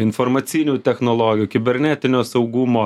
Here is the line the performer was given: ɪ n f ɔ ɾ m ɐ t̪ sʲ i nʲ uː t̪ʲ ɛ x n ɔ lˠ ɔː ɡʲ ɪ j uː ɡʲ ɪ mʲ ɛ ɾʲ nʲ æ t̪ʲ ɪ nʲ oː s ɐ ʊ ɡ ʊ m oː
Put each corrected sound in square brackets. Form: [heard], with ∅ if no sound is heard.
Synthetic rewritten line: ɪ n f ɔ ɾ m ɐ t̪ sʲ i nʲ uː t̪ʲ ɛ x n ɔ lˠ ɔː ɡʲ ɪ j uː [kʲ] ɪ [bʲ] ɛ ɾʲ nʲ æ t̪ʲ ɪ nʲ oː s ɐ ʊ ɡ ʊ m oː